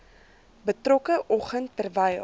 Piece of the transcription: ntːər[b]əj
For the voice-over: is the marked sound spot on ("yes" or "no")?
no